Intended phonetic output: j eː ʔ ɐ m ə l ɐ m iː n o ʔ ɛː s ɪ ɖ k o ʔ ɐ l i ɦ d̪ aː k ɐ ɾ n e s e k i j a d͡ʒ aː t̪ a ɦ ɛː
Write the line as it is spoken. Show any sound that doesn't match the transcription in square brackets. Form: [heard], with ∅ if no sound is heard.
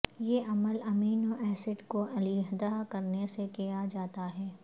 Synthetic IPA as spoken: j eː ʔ ɐ m ə l ɐ m iː n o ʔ ɛː s ɪ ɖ k o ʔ ɐ l i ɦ d̪ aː k ɐ ɾ n e s e k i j a d͡ʒ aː t̪ a ɦ ɛː